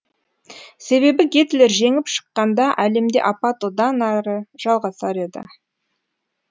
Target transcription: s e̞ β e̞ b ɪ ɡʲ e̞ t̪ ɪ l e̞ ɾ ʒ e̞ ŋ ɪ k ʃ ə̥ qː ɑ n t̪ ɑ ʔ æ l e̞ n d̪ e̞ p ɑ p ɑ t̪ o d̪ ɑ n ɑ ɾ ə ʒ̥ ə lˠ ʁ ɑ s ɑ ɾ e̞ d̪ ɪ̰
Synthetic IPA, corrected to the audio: s e̞ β e̞ b ɪ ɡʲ e̞ t̪ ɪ l e̞ ɾ ʒ e̞ ŋ ɪ p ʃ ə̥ qː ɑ n d̪ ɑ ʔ æ l e̞ m d̪ e̞ ʔ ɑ p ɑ t̪ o d̪ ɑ n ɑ ɾ ə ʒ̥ ɑ lˠ ʁ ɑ s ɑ ɾ e̞ d̪ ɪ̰